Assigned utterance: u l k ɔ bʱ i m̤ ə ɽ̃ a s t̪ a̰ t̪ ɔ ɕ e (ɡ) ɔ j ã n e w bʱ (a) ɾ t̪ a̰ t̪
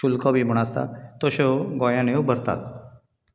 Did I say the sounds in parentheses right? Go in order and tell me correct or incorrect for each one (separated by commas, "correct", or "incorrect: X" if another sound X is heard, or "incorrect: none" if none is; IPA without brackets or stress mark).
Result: correct, incorrect: ə